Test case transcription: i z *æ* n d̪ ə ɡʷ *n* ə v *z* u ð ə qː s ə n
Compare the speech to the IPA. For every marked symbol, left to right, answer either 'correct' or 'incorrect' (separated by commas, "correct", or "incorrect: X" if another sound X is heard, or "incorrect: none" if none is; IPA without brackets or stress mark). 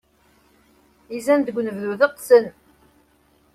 correct, correct, incorrect: ð